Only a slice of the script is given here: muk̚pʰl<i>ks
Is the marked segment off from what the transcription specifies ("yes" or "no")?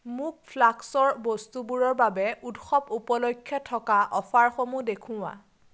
yes